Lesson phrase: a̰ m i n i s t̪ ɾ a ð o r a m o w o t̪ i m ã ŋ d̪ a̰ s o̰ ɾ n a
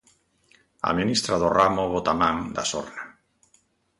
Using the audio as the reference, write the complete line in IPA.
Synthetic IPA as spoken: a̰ m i n i s t̪ ɾ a ð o r a m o β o t̪ a m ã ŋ d̪ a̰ s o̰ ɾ n a